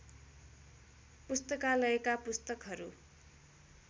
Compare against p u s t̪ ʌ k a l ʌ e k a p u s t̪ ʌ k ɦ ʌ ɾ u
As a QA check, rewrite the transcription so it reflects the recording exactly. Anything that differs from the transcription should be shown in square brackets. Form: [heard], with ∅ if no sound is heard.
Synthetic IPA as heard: p u s t̪ ʌ k a l ʌ e k a p u s t̪ ʌ k ɦ ʌ ɾ u

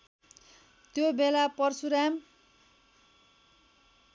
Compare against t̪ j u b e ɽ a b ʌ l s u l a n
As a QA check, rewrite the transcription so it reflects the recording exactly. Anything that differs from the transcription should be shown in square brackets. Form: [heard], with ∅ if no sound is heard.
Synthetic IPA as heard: t̪ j [o] b e [l] a [p] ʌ [r] s u [ɾ] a [m]

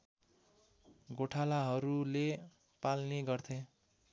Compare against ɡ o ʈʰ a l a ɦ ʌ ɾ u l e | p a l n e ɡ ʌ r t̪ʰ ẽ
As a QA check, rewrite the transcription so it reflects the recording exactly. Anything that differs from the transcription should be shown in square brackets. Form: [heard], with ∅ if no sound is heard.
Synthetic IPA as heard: ɡ o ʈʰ a l a ɦ ʌ ɾ u l e | p a l n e ɡ ʌ r t̪ʰ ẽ

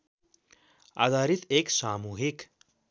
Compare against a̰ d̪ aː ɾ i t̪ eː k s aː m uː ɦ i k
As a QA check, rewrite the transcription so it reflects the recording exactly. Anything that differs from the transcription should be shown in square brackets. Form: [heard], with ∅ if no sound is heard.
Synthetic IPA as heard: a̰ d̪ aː ɾ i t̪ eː k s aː m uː ɦ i k

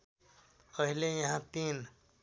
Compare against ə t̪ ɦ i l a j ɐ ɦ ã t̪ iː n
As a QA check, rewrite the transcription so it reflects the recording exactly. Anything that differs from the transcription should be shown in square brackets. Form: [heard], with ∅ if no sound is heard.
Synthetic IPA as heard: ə [∅] ɦ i l [e] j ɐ ɦ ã t̪ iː n

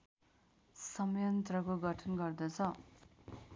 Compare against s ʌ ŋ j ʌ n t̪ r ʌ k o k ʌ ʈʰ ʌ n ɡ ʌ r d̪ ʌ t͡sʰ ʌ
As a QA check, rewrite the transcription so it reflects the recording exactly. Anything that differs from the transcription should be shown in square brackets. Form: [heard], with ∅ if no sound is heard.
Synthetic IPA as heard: s ʌ [m] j ʌ n t̪ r ʌ k o [ɡ] ʌ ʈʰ ʌ n ɡ ʌ r d̪ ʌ t͡sʰ ʌ

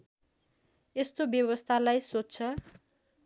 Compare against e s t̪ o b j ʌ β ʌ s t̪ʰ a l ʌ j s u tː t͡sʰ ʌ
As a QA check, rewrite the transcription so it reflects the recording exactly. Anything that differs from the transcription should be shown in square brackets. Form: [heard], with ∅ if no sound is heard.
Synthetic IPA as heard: e s t̪ o b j ʌ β ʌ s t̪ʰ a l [a] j s [o] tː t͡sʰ ʌ

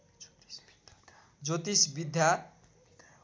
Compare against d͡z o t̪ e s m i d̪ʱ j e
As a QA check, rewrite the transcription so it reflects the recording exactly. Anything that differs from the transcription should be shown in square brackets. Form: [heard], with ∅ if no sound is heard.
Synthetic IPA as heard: d͡z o t̪ [i] s [b] i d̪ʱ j [a]

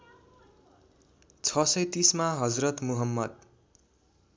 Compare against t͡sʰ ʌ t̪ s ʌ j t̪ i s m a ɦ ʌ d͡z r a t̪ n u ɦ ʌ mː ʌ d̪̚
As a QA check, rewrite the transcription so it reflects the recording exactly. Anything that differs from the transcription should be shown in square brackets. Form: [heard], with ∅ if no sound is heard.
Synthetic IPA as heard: t͡sʰ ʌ [∅] s ʌ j t̪ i s m a ɦ ʌ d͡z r [ʌ] t̪ [m] u ɦ ʌ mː ʌ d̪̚

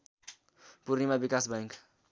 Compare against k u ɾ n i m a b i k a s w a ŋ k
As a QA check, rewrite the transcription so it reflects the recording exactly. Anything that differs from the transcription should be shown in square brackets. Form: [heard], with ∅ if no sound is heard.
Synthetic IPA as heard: [p] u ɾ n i m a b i k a s [b] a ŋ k

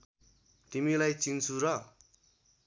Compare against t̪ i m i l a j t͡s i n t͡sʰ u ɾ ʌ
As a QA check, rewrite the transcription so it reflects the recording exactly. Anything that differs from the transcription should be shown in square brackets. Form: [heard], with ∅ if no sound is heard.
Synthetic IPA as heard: t̪ i m i l a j t͡s i n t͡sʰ u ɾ ʌ

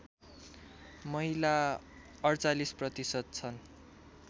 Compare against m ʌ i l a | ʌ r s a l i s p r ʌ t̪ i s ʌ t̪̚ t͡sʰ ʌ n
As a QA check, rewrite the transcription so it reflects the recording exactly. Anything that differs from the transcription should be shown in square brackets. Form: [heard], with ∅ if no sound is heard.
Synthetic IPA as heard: m ʌ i l a | ʌ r [t͡s] a l i s p r ʌ t̪ i s ʌ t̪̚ t͡sʰ ʌ n

